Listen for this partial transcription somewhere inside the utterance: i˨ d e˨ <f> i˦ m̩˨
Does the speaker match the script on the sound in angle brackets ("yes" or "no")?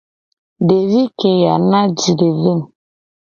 no